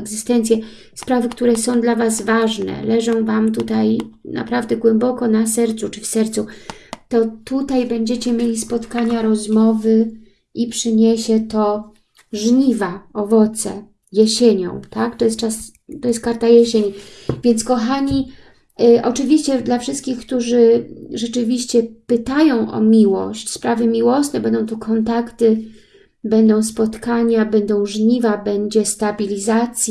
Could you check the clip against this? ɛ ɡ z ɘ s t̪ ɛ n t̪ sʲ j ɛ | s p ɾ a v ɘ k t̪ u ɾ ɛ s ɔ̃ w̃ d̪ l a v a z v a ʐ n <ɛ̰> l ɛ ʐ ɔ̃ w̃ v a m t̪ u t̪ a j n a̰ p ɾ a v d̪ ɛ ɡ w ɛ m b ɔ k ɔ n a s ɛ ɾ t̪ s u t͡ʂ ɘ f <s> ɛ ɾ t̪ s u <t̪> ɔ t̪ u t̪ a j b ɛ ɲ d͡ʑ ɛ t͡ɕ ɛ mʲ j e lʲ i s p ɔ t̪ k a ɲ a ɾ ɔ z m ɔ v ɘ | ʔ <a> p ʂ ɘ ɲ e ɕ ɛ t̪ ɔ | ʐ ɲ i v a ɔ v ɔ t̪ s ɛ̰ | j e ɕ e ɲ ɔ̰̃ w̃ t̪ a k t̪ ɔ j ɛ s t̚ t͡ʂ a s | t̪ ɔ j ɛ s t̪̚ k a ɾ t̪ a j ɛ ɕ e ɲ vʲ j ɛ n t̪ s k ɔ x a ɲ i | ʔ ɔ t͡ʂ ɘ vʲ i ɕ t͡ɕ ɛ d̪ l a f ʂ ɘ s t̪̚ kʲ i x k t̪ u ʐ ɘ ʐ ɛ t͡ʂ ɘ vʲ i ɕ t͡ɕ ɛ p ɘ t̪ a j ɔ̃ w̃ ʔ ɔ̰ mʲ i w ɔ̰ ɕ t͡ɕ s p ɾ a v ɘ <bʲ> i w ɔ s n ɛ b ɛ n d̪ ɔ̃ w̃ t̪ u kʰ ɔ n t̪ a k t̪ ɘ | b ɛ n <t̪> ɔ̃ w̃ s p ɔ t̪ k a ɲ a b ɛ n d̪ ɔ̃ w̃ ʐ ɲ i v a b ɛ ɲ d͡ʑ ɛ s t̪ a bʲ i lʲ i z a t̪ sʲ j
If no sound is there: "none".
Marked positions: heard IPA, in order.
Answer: ɛ̰, s, t̪, i, mʲ, d̪

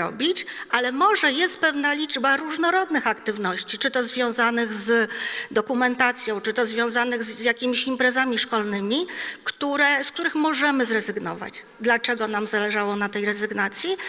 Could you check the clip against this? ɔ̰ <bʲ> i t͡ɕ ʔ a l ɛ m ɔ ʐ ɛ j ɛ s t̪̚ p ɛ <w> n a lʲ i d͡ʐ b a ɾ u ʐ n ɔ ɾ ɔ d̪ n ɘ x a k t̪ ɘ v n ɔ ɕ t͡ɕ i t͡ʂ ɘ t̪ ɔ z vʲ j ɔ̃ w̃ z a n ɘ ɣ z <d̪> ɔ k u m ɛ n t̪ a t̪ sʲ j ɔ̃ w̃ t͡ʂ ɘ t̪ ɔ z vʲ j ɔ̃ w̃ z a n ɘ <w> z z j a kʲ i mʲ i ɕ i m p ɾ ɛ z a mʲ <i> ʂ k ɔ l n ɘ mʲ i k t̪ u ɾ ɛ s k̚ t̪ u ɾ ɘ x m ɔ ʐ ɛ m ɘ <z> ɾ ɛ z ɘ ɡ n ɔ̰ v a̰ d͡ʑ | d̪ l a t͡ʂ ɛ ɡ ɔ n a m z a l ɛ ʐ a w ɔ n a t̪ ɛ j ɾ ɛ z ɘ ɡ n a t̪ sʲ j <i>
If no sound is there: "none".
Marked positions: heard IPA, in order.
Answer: bʲ, v, d̪, ɣ, i, z, i

